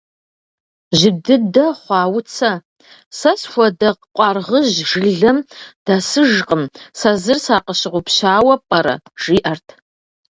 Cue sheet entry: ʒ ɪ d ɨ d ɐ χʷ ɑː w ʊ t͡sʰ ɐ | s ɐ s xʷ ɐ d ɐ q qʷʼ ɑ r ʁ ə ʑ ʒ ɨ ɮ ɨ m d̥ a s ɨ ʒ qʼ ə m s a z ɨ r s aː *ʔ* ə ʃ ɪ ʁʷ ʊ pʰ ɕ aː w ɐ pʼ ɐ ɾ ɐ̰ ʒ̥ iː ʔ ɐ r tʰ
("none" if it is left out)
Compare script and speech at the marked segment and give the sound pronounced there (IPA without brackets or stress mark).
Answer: q